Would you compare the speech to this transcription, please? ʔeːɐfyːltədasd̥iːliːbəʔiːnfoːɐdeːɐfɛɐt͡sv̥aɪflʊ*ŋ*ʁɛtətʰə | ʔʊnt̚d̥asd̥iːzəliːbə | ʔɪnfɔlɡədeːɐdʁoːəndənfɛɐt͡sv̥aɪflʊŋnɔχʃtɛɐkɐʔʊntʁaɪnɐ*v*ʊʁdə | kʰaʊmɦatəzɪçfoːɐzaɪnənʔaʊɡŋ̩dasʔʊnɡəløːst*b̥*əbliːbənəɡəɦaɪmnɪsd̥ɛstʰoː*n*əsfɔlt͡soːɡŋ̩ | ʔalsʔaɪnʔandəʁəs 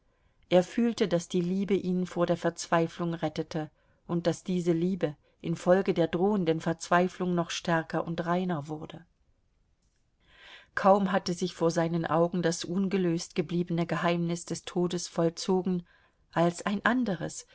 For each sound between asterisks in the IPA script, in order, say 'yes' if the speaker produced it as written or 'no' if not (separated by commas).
yes, yes, no, no